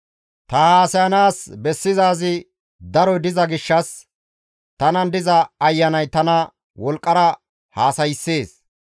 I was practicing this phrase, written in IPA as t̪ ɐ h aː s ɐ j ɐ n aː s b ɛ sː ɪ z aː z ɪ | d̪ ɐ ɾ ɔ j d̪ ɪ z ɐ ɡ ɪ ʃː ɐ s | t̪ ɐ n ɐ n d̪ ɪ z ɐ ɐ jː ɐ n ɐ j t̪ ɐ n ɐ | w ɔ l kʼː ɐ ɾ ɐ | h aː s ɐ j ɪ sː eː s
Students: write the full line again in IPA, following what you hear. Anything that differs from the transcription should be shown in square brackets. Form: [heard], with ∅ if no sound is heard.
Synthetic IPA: t̪ ɐ h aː s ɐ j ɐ n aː s b ɛ sː ɪ z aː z ɪ | d̪ ɐ ɾ ɔ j d̪ ɪ z ɐ ɡ ɪ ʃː ɐ s | t̪ ɐ n ɐ n d̪ ɪ z ɐ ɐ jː ɐ n ɐ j t̪ ɐ n ɐ | w ɔ l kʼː ɐ ɾ ɐ | h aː s ɐ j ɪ sː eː s